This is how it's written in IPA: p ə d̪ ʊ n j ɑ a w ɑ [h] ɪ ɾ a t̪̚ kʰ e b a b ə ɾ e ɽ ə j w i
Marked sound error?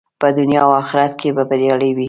yes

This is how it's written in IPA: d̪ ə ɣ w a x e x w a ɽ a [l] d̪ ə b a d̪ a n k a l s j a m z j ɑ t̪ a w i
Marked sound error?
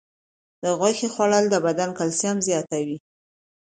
no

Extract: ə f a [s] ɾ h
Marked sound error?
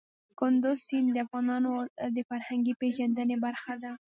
yes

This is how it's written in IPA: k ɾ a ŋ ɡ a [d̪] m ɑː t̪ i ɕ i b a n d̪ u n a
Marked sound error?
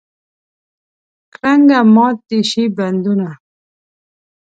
yes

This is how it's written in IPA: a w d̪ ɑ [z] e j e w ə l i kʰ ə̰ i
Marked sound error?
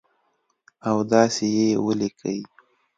yes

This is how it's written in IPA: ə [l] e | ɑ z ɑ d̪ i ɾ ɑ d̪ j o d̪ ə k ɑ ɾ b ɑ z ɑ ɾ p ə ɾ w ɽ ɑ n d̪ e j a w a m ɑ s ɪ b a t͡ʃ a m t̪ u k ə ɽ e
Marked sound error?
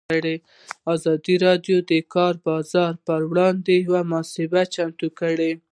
yes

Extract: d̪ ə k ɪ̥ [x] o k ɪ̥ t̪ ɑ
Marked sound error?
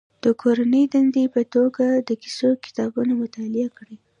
yes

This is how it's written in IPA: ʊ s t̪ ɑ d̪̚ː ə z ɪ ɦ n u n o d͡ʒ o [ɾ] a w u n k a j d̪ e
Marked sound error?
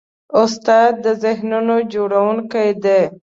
yes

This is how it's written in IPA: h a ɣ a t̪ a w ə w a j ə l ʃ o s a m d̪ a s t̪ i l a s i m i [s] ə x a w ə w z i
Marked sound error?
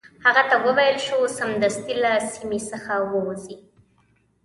no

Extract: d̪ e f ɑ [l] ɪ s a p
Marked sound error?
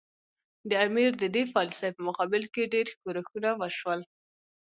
no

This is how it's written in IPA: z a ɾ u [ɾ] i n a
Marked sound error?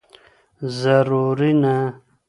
no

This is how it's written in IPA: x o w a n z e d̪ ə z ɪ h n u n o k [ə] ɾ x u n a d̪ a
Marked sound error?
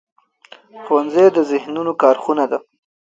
yes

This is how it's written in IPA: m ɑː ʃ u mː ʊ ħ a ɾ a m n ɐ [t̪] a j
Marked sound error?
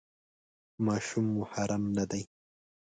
yes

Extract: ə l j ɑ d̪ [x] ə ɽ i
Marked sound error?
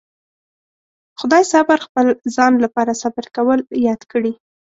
yes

